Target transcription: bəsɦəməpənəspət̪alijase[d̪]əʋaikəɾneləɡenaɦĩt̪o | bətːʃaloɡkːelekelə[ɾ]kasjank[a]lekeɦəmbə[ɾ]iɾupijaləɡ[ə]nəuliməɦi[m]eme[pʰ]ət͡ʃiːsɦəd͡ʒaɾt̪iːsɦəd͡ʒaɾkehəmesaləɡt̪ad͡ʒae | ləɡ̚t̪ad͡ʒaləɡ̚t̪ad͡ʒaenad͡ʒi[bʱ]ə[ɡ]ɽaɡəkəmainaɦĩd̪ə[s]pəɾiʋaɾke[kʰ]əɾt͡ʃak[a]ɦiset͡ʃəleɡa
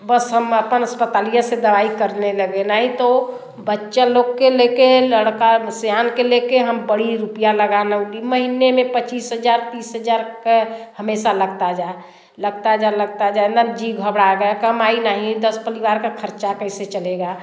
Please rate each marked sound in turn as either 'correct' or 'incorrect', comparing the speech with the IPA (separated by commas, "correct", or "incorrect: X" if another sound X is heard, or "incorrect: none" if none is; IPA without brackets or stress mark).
correct, incorrect: ɽ, incorrect: e, incorrect: ɽ, incorrect: a, incorrect: n, incorrect: p, incorrect: ɡʱ, incorrect: b, correct, correct, incorrect: ə